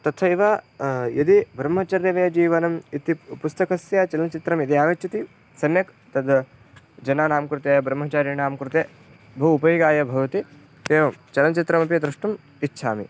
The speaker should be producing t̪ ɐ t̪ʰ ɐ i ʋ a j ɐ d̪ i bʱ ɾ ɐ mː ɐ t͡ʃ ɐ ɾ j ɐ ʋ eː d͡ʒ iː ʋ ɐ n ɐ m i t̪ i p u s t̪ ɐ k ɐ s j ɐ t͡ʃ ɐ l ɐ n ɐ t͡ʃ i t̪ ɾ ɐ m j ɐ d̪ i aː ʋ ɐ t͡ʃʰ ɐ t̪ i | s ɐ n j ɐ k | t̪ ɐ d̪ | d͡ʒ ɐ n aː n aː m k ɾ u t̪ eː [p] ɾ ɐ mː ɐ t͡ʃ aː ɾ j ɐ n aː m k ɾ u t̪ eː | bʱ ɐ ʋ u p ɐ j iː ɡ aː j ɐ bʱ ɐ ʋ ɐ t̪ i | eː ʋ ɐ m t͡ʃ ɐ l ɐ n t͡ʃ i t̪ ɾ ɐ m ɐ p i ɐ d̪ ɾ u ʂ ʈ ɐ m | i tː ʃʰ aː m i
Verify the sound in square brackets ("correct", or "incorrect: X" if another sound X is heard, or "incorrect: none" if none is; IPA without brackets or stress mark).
incorrect: b